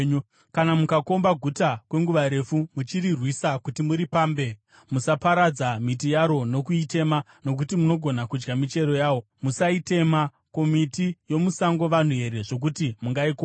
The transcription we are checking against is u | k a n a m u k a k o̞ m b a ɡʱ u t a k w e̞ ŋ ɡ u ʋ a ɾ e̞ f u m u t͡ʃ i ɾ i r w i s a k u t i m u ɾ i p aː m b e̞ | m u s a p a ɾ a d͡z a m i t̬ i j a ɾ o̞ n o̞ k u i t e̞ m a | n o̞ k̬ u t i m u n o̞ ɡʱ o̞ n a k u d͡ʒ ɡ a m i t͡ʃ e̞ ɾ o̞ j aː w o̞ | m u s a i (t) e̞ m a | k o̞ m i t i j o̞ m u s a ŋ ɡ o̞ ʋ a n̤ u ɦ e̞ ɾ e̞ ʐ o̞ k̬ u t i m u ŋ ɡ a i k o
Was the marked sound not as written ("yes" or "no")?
no